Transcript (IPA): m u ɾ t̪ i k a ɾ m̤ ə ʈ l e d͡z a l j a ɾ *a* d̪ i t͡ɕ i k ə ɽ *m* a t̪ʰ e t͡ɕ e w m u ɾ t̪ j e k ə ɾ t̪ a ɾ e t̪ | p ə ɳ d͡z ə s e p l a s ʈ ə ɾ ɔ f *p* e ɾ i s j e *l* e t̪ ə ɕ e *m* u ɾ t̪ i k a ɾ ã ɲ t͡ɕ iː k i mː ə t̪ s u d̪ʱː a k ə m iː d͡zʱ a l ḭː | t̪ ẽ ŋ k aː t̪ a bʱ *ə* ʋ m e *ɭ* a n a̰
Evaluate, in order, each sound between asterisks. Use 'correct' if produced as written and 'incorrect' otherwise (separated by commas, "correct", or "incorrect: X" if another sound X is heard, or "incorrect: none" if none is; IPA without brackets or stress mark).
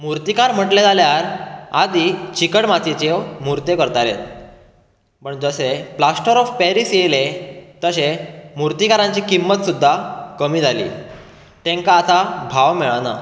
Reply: correct, correct, correct, correct, correct, incorrect: a, correct